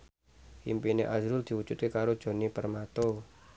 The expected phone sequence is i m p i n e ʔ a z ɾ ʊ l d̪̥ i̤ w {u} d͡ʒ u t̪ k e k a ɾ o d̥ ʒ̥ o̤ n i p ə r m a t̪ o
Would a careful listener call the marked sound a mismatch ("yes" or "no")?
no